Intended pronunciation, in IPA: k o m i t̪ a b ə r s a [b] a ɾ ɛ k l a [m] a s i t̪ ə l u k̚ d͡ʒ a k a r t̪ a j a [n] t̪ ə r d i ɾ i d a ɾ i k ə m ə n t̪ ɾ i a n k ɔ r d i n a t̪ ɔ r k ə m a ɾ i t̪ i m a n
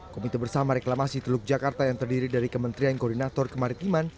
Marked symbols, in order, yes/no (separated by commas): no, yes, no